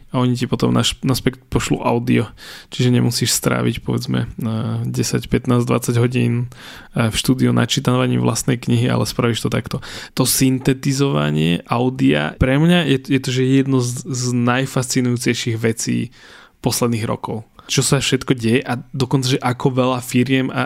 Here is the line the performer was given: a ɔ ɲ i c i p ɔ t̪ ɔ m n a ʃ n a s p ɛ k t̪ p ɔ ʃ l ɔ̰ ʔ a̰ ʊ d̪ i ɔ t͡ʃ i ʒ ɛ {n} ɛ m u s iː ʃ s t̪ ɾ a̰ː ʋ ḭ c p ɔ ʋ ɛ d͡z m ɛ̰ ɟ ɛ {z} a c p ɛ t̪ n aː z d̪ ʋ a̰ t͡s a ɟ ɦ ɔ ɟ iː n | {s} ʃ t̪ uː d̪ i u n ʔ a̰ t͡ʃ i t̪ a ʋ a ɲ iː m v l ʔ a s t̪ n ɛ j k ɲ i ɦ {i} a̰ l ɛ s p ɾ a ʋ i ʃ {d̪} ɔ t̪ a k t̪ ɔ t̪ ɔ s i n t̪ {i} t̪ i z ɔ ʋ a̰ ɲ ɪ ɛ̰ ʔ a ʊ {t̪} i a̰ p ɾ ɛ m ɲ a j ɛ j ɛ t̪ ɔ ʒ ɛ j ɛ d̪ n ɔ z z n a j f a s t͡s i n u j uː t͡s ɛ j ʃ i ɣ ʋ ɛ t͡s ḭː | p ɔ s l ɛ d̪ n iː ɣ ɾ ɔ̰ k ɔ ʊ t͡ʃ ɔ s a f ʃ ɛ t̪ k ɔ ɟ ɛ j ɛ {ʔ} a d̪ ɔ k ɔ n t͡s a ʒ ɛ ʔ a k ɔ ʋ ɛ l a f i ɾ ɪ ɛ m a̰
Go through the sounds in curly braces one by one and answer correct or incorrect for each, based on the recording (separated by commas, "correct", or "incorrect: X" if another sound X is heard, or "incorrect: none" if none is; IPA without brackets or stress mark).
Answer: incorrect: ɲ, incorrect: s, incorrect: f, correct, incorrect: t̪, incorrect: ɛ, incorrect: d̪, correct